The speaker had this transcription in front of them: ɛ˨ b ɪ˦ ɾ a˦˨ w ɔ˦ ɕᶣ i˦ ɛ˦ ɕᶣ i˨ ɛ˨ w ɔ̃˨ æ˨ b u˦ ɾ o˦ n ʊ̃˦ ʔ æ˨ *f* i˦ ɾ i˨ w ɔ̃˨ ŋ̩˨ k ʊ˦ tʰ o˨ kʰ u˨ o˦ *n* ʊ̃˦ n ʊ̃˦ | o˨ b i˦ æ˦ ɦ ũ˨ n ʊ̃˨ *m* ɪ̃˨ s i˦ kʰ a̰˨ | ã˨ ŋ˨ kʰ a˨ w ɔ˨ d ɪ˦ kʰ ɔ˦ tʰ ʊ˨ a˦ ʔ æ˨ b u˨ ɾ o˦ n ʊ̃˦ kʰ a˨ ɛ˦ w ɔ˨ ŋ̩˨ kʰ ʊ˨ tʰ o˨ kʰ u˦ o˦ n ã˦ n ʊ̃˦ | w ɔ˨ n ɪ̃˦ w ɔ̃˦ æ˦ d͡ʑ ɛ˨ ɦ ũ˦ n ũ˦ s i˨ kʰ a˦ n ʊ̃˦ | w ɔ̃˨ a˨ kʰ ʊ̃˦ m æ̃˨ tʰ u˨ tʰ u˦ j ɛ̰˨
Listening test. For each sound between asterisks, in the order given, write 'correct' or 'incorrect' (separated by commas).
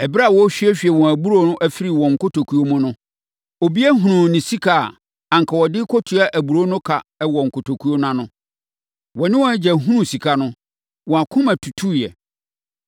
correct, incorrect, incorrect